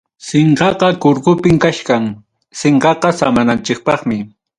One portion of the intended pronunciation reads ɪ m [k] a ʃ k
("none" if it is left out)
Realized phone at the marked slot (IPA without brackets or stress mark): k